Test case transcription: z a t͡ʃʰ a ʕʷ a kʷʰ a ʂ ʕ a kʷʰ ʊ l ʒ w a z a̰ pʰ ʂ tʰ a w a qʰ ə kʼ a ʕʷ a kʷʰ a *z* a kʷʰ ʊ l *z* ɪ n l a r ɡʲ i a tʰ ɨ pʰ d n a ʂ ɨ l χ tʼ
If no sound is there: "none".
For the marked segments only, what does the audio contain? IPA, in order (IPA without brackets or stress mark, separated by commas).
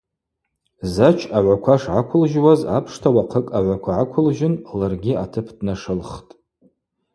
ʕ, ʒ